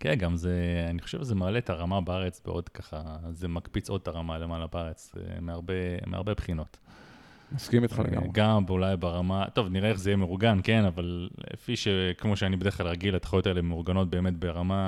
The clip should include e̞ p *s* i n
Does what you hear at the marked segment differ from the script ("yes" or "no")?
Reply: yes